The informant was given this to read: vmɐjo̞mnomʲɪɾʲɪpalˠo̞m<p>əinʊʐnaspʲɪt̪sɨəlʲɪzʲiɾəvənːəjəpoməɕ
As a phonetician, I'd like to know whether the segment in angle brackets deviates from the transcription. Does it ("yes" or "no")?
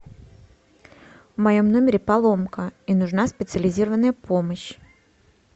yes